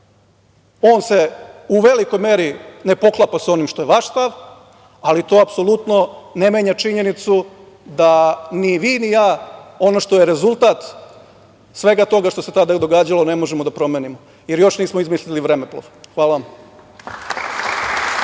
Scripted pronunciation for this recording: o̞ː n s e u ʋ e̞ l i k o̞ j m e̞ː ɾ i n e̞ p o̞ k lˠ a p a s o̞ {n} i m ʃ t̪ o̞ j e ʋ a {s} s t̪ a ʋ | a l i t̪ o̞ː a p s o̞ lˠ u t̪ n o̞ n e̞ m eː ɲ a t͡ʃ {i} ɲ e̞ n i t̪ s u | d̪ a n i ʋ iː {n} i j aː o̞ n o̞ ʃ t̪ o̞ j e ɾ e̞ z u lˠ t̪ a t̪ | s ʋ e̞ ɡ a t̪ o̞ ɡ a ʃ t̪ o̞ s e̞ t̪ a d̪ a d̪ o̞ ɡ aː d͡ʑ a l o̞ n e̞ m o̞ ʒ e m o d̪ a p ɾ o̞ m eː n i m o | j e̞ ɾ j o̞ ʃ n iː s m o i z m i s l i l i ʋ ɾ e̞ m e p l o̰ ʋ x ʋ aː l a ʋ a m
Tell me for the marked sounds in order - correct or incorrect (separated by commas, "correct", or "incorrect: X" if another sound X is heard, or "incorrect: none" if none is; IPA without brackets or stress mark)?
correct, incorrect: ʃ, correct, correct